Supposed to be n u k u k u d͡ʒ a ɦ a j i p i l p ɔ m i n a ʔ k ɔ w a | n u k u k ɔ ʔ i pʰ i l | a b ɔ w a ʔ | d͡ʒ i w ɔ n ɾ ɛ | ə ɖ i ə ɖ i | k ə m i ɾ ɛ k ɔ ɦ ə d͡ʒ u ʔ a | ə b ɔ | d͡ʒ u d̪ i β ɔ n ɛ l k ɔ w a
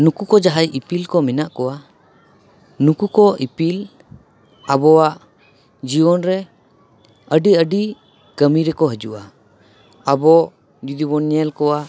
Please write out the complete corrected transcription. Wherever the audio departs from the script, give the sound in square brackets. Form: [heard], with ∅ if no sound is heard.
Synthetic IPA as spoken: n u k u k [ɔ] d͡ʒ a ɦ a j i p i l [k] ɔ m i n a ʔ k ɔ w a | n u k u k ɔ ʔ i [p] i l | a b ɔ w a ʔ | d͡ʒ i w ɔ n ɾ ɛ | ə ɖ i ə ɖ i | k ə m i ɾ ɛ k ɔ ɦ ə d͡ʒ u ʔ a | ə b ɔ | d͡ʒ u d̪ i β ɔ n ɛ l k ɔ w a